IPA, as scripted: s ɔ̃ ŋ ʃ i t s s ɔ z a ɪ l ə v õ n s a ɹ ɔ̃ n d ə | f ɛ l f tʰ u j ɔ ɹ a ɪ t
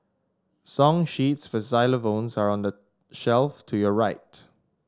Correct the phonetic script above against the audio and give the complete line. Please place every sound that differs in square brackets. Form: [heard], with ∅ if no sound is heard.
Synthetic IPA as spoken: s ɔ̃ ŋ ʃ i t s [f] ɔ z a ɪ l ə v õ n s a ɹ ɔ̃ n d ə | [ʃ] ɛ l f tʰ u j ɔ ɹ a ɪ t